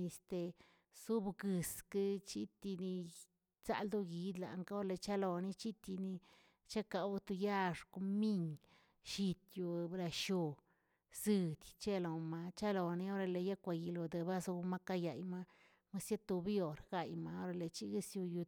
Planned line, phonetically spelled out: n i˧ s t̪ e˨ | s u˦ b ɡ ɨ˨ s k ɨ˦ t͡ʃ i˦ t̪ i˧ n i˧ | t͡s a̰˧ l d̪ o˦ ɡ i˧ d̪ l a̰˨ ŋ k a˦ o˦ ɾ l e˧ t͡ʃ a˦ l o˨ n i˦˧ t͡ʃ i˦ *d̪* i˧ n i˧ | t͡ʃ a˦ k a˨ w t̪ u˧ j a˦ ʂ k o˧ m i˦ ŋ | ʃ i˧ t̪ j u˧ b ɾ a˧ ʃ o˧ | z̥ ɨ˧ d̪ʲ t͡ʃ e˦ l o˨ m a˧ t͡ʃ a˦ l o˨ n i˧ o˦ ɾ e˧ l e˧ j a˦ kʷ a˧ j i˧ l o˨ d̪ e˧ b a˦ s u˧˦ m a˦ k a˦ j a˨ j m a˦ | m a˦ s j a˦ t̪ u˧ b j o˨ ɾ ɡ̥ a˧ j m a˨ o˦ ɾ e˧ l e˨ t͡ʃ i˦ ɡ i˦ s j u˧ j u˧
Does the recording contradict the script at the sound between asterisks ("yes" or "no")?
yes